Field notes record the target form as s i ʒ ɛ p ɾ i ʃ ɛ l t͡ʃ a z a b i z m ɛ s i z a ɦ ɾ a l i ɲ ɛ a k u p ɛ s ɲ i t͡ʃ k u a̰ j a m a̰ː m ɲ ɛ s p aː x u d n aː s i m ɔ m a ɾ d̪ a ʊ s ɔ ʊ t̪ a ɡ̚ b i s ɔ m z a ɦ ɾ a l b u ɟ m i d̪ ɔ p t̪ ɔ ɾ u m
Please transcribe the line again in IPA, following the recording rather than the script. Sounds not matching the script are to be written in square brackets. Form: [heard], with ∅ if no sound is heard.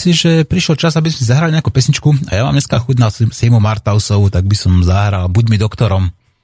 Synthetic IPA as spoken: s i ʒ ɛ p ɾ i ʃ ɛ l t͡ʃ a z a b i z m ɛ s i z a ɦ ɾ a l i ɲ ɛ a k u p ɛ s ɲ i t͡ʃ k u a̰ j a m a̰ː m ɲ ɛ s [k] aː x u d n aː s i m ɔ m a ɾ [t̪] a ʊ s ɔ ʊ t̪ a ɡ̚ b i s ɔ m z a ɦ ɾ a l b u ɟ m i d̪ ɔ [k] t̪ ɔ ɾ [ɔ] m